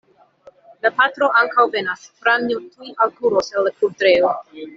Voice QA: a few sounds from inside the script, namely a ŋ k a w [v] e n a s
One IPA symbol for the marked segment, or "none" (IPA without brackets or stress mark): v